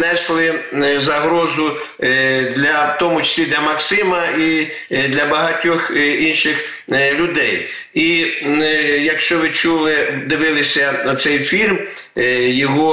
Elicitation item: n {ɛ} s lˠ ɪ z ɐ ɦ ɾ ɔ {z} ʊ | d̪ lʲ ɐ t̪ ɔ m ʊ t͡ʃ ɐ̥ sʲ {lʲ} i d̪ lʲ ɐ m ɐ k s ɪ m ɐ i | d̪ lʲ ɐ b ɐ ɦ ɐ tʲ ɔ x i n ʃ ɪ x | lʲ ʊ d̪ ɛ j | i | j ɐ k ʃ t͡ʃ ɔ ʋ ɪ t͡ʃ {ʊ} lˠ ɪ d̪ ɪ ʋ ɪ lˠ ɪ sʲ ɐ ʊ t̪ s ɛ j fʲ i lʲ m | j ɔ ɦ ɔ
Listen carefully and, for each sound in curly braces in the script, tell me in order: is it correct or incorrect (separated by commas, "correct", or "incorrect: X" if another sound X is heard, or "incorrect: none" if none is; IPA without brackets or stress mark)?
correct, correct, correct, incorrect: u